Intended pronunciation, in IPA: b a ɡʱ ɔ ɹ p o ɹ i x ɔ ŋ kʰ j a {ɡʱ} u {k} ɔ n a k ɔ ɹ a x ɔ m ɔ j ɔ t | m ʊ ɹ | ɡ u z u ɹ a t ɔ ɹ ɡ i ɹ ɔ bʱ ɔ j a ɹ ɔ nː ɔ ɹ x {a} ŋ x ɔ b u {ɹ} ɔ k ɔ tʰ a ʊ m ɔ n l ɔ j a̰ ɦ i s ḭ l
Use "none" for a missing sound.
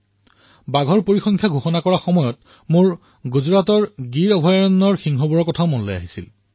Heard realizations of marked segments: ɡʱ, x, i, ɹ

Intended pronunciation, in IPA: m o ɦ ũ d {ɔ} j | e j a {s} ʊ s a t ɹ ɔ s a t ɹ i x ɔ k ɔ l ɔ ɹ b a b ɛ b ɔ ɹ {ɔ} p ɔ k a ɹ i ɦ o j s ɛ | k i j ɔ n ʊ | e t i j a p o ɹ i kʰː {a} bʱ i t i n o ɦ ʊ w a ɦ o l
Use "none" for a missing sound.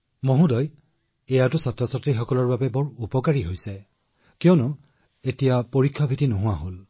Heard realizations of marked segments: ɔ, t, u, a

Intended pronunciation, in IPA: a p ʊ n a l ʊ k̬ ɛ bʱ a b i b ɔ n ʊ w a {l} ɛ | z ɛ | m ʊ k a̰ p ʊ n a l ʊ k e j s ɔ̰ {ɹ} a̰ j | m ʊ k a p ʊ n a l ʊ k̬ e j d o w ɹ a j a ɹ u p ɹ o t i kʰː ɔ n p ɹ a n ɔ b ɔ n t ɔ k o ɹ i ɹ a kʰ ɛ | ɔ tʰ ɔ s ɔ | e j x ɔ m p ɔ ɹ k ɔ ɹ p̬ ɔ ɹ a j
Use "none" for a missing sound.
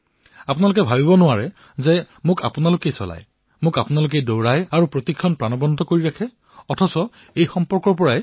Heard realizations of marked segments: ɹ, l

